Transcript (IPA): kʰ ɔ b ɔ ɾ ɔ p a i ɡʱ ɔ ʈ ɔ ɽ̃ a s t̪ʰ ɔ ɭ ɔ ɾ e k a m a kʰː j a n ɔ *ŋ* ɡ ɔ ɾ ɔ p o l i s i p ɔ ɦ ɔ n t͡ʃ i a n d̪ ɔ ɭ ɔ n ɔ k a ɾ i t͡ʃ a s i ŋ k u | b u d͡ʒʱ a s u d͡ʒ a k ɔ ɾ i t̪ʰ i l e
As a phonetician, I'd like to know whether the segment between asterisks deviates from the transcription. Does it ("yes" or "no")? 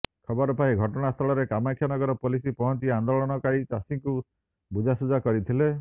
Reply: yes